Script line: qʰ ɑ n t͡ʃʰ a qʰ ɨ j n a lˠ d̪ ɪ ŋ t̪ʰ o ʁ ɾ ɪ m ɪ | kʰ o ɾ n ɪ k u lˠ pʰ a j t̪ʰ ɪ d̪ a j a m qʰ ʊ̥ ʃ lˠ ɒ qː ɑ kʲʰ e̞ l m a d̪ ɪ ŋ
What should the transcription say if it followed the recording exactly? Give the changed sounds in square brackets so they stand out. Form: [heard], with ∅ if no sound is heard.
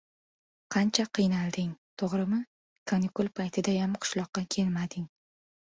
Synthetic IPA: qʰ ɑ n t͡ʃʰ a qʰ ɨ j n a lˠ d̪ ɪ ŋ t̪ʰ o ʁ ɾ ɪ m ɪ | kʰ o [∅] n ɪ k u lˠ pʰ a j t̪ʰ ɪ d̪ a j a m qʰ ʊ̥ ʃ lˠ ɒ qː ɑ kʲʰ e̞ l m a d̪ ɪ ŋ